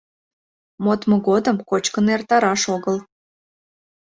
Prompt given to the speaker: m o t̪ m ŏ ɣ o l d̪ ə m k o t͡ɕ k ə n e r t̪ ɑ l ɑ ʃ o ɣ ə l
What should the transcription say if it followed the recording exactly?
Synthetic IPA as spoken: m o t̪ m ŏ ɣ o d̪ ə m k o t͡ɕ k ə n e r t̪ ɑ ɾ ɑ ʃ o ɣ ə l